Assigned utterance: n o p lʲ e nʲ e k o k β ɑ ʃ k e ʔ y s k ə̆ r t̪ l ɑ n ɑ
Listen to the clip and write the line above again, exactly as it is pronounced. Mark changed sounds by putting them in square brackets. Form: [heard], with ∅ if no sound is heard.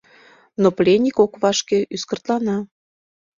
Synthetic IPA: n o p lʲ e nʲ [i] k o k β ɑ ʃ k e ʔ y s k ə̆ r t̪ l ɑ n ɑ